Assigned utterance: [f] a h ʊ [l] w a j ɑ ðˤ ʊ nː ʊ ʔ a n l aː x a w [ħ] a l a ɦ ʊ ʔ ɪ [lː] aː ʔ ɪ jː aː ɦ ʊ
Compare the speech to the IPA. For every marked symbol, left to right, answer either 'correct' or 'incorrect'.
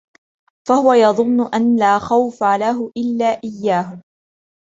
correct, incorrect, incorrect, correct

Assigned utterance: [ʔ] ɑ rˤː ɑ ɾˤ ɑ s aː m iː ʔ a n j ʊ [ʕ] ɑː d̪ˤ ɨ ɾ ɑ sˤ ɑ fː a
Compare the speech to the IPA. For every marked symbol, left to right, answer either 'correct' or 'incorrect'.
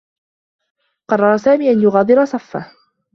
incorrect, incorrect

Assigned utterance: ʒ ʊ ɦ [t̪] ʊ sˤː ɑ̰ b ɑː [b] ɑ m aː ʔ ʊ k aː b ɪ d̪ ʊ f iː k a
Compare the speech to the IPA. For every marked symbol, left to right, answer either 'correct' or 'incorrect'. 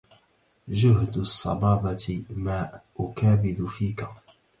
incorrect, correct

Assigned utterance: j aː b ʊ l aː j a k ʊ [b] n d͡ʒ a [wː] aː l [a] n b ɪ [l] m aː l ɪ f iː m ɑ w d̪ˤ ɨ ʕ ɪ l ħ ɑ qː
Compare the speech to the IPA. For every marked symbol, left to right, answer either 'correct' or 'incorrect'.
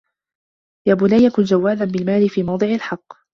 incorrect, correct, correct, correct

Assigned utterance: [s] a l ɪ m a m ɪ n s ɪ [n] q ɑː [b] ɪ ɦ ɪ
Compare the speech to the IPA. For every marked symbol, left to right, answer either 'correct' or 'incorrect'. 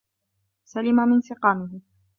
correct, incorrect, incorrect

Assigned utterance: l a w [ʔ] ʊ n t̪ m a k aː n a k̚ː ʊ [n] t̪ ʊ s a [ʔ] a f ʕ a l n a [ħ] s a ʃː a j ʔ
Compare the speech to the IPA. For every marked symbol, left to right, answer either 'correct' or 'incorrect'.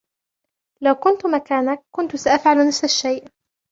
incorrect, correct, correct, incorrect

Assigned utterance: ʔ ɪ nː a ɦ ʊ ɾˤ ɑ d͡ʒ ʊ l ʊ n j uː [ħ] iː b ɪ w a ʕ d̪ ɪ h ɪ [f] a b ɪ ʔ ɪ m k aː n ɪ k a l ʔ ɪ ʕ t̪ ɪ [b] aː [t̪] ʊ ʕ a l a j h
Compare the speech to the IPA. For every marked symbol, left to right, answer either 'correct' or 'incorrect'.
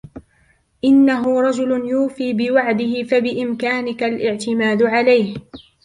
incorrect, correct, incorrect, incorrect

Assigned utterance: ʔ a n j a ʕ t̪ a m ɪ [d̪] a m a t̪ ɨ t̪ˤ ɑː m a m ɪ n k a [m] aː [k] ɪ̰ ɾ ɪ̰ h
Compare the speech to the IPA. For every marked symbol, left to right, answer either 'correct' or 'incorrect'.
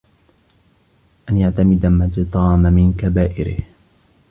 correct, incorrect, incorrect

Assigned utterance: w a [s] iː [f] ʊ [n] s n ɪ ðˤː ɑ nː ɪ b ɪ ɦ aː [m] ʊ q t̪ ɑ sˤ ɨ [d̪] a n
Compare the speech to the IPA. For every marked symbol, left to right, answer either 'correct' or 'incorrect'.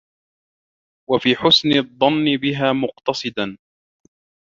incorrect, incorrect, incorrect, correct, correct

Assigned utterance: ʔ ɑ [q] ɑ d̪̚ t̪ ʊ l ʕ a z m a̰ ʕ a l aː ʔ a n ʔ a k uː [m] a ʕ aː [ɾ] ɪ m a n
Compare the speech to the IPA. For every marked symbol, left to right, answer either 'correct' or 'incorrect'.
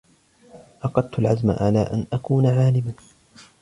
correct, incorrect, incorrect

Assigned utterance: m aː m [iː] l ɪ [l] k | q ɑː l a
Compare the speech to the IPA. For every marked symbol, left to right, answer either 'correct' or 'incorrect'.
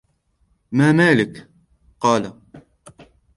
incorrect, incorrect

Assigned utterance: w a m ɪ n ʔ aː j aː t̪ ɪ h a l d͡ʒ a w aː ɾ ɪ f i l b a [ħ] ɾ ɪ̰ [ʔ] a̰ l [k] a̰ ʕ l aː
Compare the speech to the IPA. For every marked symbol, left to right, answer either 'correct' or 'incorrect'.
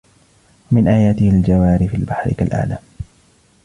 correct, incorrect, incorrect

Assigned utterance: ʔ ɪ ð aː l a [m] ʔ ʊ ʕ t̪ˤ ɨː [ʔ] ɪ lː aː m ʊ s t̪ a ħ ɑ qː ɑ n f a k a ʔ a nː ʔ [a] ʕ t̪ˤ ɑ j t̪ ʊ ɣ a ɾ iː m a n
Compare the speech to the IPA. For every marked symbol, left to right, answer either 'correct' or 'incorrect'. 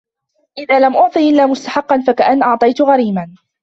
correct, correct, incorrect

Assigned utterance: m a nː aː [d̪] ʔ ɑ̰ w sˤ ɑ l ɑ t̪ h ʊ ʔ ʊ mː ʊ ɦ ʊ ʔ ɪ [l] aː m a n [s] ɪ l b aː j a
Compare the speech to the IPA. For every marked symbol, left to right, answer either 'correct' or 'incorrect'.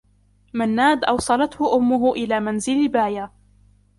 correct, correct, incorrect

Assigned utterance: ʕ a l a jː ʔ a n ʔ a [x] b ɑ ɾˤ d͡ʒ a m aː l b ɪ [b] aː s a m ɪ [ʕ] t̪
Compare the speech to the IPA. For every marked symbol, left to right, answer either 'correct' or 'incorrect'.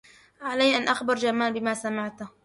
correct, incorrect, correct

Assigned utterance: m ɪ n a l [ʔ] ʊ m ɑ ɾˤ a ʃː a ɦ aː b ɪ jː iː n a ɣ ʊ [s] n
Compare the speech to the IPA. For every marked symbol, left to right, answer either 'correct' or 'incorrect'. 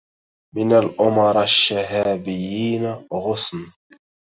correct, correct

